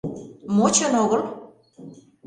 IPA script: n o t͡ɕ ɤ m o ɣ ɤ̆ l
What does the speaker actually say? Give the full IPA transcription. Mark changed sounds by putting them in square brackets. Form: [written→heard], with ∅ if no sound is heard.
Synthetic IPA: [n→m] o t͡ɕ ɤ [m→n] o ɣ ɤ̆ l